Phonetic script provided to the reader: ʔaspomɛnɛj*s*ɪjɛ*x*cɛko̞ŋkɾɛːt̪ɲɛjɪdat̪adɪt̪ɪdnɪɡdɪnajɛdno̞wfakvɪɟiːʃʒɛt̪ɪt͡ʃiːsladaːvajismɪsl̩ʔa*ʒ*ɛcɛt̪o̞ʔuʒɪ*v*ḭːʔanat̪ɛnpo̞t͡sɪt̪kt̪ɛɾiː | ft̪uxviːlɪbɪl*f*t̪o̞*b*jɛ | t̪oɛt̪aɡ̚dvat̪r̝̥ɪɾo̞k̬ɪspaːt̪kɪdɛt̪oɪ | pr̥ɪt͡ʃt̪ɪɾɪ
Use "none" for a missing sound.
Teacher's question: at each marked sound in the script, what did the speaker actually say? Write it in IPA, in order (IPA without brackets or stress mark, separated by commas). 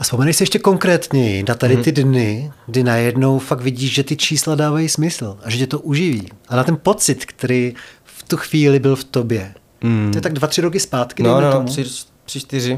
s, ʃ, ʒ, v, f, b